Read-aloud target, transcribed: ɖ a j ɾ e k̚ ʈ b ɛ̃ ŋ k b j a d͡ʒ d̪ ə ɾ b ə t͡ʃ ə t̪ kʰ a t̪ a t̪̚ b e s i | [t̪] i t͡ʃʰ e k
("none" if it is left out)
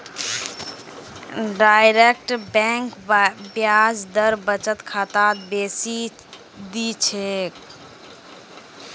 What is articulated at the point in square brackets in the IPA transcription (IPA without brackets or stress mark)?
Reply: d̪